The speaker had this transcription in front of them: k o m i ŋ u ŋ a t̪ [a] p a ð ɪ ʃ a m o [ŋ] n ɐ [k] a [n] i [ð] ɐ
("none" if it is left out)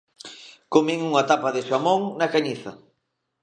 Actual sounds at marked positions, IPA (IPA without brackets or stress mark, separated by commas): a, ŋ, k, ɲ, θ